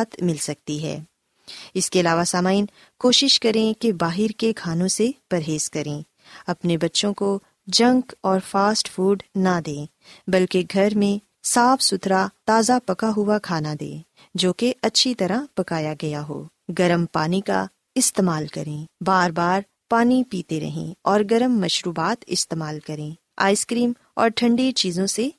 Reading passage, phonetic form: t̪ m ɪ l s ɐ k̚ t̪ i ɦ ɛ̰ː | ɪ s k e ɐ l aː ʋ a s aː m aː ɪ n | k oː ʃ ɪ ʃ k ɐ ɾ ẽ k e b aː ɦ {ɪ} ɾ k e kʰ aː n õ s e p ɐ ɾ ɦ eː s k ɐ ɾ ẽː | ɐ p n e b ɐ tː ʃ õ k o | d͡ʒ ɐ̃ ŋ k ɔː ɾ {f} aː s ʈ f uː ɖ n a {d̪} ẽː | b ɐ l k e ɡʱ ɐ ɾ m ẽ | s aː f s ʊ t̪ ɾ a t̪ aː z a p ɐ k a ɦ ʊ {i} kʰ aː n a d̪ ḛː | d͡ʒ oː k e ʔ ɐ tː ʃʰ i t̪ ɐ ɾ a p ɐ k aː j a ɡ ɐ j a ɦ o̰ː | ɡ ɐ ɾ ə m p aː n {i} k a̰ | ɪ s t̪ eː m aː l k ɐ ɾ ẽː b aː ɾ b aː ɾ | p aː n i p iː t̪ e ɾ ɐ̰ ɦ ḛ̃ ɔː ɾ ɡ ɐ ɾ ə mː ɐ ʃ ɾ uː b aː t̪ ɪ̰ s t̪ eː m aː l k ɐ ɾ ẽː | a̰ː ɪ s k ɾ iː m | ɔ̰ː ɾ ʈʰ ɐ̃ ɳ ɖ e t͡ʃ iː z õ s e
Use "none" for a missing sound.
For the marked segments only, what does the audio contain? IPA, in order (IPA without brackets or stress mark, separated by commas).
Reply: ɪ, f, d̪, a, i